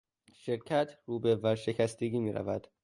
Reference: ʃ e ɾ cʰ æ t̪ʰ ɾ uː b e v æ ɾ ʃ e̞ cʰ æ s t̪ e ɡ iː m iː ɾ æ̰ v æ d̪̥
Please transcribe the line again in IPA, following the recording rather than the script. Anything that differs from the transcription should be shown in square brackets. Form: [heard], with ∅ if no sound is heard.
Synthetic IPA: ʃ e ɾ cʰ æ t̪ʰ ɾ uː b e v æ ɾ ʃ e̞ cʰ æ s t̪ e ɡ iː m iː ɾ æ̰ v æ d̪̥